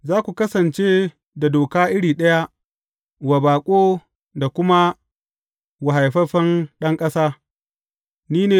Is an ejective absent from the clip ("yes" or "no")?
no